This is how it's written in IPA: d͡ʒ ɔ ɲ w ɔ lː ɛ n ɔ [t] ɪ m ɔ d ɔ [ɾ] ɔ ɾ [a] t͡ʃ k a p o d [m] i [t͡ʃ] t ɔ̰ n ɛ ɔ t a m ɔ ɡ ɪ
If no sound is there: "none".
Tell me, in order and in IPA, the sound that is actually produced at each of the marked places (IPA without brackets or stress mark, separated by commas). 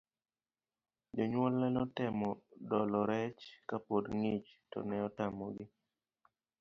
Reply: t, l, ɛ, ŋ, t͡ʃ